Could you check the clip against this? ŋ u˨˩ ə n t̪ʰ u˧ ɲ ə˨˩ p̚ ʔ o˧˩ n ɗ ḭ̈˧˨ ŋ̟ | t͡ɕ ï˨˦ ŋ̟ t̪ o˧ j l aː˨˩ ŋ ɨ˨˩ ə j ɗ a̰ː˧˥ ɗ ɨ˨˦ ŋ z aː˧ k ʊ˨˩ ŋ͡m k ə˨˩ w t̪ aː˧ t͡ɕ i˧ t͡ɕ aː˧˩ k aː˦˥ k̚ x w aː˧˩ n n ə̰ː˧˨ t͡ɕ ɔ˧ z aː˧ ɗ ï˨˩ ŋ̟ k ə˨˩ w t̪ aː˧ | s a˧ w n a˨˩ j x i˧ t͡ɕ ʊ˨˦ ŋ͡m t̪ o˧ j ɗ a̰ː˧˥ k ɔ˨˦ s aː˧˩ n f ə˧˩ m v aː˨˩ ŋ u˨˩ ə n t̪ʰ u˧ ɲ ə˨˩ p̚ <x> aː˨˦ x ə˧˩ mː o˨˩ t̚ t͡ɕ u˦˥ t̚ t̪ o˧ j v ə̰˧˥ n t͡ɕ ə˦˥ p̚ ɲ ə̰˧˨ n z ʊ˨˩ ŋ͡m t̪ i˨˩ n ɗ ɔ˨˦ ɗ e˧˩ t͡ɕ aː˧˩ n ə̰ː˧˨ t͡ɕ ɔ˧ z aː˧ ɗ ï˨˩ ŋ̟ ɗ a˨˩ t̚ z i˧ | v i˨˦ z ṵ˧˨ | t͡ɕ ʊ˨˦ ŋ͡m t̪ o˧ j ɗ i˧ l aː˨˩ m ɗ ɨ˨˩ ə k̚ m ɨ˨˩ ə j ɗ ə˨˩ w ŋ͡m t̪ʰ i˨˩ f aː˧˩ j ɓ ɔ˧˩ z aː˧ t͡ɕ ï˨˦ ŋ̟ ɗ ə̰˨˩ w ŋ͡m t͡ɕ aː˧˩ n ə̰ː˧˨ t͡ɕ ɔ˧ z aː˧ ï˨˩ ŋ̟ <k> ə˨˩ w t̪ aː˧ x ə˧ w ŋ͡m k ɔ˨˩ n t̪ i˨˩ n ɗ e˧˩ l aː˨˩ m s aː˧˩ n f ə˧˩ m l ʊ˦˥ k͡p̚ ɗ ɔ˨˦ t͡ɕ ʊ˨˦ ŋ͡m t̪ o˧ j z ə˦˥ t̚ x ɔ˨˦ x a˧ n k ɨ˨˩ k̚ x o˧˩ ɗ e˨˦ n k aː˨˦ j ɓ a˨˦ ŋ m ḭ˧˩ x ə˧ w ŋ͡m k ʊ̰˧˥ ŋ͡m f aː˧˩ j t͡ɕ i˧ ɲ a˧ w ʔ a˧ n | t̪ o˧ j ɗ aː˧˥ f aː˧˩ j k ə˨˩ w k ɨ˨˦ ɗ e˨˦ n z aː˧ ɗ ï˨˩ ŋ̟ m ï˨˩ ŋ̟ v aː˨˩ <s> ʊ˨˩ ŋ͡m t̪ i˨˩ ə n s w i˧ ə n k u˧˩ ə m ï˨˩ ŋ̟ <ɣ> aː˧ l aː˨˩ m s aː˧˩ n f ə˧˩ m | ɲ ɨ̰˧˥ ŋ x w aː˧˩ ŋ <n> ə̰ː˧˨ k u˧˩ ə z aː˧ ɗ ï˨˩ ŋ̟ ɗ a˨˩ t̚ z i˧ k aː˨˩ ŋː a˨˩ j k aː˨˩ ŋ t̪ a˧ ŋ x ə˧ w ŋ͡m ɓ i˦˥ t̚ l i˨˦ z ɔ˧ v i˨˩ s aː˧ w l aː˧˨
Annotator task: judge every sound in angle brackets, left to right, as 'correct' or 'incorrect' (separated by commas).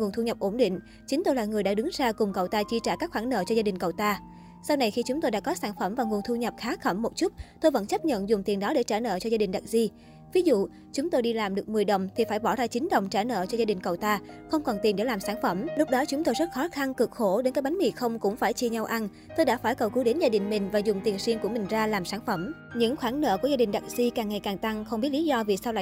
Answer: correct, correct, incorrect, incorrect, correct